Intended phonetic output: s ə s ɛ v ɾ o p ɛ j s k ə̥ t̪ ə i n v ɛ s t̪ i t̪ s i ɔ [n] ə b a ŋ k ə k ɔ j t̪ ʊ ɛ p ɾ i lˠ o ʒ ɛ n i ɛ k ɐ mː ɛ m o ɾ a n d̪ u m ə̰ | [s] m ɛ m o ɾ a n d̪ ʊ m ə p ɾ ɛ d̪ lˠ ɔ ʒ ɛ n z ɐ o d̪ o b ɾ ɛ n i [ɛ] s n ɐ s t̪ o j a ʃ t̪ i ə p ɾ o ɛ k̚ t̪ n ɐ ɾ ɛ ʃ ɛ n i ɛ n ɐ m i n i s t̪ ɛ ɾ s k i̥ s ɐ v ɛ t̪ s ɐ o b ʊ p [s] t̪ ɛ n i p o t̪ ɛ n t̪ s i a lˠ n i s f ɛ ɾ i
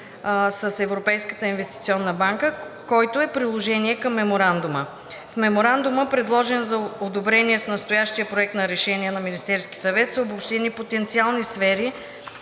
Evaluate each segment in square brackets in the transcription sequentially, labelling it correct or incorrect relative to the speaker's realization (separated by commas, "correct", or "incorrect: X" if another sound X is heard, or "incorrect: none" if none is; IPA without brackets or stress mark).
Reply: incorrect: nː, incorrect: f, correct, incorrect: ʃ